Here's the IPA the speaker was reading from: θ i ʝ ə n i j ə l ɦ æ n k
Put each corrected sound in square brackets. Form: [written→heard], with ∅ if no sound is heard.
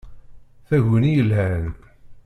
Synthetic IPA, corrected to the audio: θ [i→æ] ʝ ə n i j ə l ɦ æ n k